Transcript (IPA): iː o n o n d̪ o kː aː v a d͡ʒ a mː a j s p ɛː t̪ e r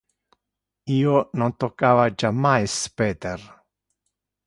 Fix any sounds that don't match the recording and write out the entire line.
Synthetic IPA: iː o n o n t̪ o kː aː v a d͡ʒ a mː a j s p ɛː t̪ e r